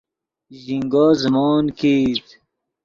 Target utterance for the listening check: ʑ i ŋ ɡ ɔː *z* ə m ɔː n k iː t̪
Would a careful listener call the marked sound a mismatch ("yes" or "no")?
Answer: no